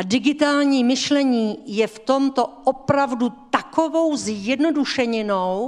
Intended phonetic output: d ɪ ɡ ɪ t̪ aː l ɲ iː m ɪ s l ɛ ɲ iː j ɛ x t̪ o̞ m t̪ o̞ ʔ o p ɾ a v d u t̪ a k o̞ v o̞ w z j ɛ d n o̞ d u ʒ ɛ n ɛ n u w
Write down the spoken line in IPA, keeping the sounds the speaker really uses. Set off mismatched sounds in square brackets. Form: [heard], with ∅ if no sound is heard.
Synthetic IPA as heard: d ɪ ɡ ɪ t̪ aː l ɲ iː m ɪ [ʃ] l ɛ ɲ iː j ɛ [f] t̪ o̞ m t̪ o̞ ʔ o p ɾ a v d u t̪ a k o̞ v o̞ w z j ɛ d n o̞ d u [ʃ] ɛ [ɲ] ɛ n [o] w